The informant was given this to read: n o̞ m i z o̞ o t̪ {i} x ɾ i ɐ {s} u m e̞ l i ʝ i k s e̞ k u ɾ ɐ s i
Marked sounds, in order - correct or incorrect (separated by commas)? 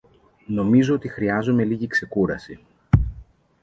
correct, incorrect